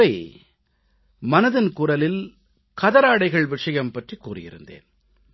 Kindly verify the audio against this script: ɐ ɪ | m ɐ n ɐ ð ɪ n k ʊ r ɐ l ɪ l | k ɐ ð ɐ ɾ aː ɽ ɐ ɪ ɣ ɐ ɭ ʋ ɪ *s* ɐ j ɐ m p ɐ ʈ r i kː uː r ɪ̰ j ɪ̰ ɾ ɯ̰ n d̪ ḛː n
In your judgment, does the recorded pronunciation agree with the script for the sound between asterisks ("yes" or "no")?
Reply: no